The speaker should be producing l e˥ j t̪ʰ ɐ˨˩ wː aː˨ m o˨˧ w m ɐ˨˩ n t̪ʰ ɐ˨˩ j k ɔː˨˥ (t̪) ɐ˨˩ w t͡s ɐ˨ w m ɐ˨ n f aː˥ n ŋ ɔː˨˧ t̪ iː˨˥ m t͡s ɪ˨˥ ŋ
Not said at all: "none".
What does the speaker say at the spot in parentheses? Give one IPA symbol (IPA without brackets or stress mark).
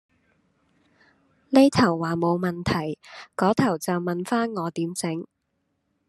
t̪ʰ